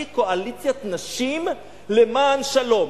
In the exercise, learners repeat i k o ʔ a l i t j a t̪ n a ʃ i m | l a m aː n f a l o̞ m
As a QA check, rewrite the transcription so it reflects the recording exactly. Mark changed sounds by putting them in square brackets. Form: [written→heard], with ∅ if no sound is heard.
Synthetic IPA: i k o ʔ a l i [t→t͡s] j a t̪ n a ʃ i m | l [a→e] m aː n [f→ʃ] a l o̞ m